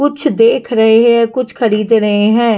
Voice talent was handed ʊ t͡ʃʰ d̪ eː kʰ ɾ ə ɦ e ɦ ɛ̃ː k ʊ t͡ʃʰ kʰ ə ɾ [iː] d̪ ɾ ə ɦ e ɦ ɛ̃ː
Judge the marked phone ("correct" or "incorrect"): correct